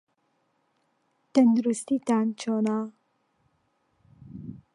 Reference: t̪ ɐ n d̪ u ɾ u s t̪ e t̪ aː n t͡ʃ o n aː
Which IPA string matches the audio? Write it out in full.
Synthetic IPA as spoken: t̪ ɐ n d̪ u ɾ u s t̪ i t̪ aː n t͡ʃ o n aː